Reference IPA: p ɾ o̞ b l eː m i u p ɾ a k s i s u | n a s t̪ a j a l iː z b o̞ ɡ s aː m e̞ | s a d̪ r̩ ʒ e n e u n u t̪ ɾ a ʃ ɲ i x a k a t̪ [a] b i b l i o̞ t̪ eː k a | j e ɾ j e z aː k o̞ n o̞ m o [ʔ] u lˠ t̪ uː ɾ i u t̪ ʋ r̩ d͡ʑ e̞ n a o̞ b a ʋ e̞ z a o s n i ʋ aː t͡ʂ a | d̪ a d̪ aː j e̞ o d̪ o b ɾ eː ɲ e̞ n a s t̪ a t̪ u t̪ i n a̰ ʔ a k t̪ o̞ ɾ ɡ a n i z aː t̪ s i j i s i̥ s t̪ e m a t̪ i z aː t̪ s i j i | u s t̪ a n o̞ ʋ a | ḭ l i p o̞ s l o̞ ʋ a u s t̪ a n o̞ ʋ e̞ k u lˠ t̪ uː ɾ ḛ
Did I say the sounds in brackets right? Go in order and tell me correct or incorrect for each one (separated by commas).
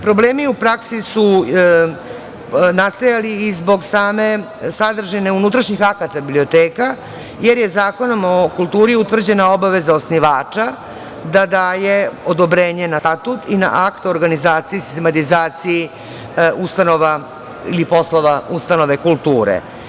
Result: correct, incorrect